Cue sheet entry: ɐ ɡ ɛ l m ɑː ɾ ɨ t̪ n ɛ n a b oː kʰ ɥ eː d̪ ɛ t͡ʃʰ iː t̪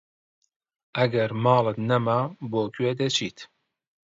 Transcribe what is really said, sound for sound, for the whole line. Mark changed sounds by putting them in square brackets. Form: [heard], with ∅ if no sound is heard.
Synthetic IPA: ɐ ɡ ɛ [ɾ] m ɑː [l] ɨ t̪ n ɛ [m] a b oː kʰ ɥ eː d̪ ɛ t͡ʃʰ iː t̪